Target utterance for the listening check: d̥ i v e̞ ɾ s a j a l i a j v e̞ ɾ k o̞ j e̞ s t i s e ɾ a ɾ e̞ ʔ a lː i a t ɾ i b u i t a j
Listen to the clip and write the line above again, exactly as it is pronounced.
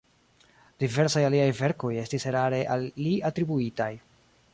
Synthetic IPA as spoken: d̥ i v e̞ ɾ s a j a l i a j v e̞ ɾ k o̞ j e̞ s t i s e ɾ a ɾ e̞ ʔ a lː i a t ɾ i b u i t a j